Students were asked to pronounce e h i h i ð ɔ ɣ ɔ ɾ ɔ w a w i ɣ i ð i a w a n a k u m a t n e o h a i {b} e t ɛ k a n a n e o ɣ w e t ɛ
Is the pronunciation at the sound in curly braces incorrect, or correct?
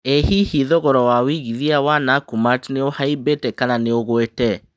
correct